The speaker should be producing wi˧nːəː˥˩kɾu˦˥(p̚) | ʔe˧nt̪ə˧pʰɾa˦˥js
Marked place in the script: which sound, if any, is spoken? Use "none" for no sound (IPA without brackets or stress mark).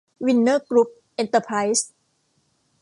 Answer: p̚